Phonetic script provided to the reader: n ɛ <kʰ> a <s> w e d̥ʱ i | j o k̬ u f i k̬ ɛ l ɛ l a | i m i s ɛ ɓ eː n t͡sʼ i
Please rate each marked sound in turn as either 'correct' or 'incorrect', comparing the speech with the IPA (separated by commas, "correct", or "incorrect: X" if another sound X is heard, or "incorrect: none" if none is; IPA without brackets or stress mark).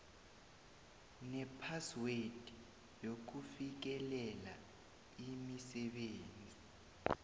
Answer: incorrect: pʰ, correct